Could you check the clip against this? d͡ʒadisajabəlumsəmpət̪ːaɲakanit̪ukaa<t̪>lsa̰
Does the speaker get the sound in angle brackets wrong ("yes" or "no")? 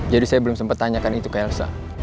yes